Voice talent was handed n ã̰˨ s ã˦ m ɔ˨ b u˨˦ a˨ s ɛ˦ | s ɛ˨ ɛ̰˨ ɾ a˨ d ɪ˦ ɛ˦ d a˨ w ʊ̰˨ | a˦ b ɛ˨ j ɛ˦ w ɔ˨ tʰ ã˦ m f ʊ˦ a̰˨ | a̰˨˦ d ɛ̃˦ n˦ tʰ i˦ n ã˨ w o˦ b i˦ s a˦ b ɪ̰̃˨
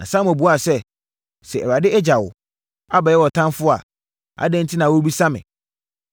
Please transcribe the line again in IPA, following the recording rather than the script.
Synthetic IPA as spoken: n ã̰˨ s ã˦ m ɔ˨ b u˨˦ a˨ s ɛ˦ | s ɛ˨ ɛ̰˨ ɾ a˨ d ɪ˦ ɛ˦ d͡ʑ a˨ w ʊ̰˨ | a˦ b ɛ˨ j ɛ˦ w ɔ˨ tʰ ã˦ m f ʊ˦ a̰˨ | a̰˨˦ d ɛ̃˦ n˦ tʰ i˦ n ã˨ w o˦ b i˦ s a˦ m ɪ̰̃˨

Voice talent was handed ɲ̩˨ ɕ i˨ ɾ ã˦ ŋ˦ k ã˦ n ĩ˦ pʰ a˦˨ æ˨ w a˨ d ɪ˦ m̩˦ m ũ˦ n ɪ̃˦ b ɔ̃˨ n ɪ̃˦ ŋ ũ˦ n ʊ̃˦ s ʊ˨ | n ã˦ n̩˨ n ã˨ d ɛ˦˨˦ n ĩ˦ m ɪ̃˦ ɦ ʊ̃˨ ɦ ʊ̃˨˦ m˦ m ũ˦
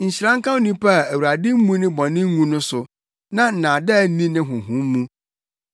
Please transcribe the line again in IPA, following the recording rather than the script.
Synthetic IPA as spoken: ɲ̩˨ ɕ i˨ ɾ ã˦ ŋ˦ k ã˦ n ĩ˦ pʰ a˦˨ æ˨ w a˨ d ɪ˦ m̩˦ m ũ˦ n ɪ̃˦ b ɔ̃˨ n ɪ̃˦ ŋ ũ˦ n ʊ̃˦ s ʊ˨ | n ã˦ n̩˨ n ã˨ d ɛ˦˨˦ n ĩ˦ n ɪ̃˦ ɦ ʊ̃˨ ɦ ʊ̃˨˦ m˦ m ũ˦

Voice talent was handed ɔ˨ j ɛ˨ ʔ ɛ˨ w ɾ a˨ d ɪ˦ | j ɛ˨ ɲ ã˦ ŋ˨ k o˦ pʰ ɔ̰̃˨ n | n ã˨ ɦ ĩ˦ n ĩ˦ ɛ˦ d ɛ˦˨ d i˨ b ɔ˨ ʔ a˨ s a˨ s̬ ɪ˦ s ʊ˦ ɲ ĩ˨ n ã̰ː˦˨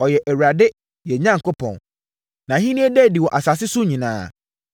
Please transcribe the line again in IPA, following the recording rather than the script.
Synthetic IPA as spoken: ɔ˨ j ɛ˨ ʔ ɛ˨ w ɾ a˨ d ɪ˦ | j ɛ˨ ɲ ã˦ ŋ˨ k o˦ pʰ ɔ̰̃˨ n | n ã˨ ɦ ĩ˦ n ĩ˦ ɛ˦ d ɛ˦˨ d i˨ w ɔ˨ ʔ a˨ s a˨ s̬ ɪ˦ s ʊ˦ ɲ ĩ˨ n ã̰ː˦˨

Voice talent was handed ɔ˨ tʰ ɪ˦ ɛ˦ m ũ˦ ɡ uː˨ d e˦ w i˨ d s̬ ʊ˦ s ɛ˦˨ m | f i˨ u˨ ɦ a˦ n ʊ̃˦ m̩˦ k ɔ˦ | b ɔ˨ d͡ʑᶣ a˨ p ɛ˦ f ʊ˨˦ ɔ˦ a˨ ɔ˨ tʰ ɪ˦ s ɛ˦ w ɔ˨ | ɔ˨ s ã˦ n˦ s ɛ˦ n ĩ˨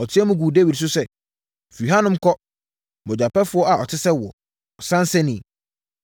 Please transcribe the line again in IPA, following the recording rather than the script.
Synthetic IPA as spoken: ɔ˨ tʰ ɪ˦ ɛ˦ m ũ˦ ɡ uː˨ d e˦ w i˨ d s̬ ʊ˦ s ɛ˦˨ | f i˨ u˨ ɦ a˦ n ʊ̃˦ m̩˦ k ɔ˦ | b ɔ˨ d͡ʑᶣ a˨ p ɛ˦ f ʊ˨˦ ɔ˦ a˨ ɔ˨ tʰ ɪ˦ s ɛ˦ w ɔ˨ | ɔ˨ s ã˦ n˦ s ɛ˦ n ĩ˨

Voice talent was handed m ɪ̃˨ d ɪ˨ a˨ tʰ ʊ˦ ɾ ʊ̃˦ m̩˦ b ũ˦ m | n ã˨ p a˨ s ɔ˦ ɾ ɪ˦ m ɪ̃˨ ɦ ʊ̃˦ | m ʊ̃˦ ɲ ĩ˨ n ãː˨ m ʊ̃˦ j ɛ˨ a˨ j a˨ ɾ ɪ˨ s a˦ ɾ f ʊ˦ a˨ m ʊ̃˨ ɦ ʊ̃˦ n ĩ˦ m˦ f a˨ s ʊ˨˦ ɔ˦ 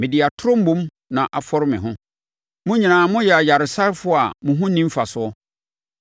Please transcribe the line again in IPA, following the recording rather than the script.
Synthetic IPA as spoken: m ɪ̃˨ d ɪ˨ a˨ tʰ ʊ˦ ɾ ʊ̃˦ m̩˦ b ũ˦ m | n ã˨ ʔ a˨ f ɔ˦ ɾ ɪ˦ m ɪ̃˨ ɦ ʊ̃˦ | m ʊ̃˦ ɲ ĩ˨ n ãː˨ m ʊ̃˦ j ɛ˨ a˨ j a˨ ɾ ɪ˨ s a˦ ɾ f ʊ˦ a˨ m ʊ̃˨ ɦ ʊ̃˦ n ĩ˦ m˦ f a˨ s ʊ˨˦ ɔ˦

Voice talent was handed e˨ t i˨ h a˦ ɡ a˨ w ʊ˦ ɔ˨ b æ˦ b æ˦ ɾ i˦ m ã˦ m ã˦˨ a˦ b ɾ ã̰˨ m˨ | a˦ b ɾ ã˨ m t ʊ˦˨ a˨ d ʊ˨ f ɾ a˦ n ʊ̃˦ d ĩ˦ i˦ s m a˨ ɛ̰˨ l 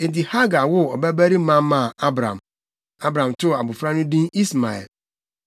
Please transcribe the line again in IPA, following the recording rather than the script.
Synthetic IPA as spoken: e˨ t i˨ h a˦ ɡ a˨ w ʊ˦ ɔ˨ b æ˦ b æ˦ ɾ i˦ m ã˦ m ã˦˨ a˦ b ɾ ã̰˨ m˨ | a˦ b ɾ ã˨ m t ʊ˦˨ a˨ b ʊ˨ f ɾ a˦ n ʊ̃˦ d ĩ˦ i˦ s m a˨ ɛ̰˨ l

